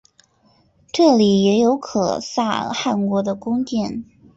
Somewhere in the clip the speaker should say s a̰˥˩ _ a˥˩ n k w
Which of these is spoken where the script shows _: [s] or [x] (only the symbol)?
x